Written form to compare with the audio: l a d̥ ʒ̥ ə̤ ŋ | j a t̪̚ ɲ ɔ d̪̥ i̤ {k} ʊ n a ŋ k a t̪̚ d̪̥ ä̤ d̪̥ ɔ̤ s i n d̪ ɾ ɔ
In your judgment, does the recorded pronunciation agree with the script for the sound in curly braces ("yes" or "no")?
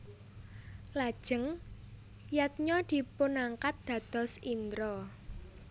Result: no